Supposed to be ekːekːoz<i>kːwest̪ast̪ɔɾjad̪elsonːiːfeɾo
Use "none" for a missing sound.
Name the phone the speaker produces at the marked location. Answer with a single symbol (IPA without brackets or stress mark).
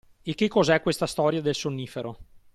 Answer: ɛ